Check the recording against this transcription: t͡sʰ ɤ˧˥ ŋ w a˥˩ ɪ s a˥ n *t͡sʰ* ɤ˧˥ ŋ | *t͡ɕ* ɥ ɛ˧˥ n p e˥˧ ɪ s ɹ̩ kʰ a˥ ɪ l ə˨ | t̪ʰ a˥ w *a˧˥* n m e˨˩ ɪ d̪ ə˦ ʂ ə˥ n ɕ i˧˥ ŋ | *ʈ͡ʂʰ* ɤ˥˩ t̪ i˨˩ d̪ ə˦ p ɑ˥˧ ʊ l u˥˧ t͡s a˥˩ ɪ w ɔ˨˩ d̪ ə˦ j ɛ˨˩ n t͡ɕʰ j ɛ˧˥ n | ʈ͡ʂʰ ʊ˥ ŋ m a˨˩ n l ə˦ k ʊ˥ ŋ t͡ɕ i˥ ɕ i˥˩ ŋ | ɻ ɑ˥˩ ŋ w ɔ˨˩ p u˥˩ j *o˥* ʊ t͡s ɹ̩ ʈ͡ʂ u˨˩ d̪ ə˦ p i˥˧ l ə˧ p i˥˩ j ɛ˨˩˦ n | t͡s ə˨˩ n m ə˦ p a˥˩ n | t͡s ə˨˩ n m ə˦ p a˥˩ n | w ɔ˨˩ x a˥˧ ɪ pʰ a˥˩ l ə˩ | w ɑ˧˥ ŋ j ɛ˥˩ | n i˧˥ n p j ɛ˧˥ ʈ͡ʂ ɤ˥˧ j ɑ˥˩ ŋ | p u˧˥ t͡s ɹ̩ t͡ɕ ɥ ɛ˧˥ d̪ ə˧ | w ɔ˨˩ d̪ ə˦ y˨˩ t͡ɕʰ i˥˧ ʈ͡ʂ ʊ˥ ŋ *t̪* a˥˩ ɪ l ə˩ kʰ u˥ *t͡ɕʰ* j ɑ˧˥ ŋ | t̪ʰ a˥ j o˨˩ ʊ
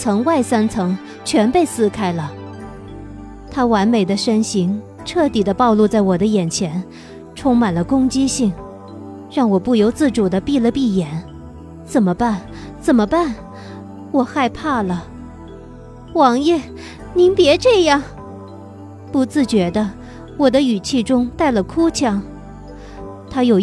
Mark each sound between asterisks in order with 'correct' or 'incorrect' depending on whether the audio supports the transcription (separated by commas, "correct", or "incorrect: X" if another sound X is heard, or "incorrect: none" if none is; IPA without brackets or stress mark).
correct, incorrect: t͡ɕʰ, correct, correct, incorrect: o˧˥, correct, correct